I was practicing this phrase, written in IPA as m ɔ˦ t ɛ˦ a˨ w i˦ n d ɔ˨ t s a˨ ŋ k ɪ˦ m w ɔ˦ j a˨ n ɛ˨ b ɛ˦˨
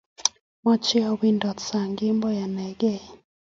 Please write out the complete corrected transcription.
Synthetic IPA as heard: m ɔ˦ t͡ʃ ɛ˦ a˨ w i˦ n d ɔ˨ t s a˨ ŋ ɡ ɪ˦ m b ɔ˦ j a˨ n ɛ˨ ɡ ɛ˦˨